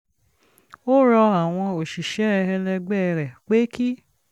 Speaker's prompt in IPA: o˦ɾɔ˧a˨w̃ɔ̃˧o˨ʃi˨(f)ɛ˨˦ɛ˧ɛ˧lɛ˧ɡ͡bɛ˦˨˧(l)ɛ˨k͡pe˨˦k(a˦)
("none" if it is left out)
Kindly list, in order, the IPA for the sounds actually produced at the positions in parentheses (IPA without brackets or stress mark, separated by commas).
ʃ, ɾ, i˦